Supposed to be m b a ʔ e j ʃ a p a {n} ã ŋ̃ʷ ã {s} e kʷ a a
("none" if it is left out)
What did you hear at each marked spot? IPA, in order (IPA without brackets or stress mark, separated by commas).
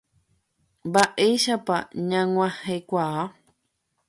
ɲ, h